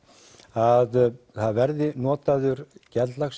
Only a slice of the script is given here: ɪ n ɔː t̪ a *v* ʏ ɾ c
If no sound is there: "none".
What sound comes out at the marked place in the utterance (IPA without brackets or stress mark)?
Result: ð